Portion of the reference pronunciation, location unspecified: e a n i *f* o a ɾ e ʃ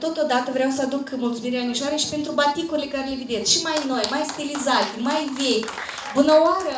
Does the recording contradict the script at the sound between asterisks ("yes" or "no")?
yes